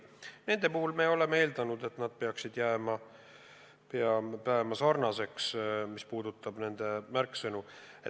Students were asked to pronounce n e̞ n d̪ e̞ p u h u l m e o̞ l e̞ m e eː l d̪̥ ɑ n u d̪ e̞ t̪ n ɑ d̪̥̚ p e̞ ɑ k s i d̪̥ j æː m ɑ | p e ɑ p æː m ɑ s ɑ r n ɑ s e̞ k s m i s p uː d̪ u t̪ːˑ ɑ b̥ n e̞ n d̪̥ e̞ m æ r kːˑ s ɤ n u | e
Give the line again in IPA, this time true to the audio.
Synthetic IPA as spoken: n e̞ n d̪ e̞ p u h u l m e o̞ l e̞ m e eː l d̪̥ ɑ n u d̪ e̞ t̪ n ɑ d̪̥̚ p e̞ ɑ k s i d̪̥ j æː m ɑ | p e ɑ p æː m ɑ s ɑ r n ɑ s e̞ k s m i s p uː d̪ u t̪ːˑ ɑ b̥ n e̞ n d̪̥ e̞ m æ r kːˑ s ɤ n u | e